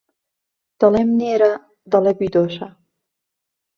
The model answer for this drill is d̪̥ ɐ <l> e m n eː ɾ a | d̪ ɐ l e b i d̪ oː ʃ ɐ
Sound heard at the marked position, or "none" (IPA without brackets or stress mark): l